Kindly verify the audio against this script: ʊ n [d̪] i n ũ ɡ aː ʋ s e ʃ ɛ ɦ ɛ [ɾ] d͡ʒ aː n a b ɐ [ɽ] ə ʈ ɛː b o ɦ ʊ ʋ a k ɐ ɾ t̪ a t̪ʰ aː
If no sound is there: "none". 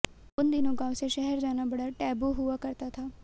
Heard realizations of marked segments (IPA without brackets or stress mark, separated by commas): d̪, ɾ, ɽ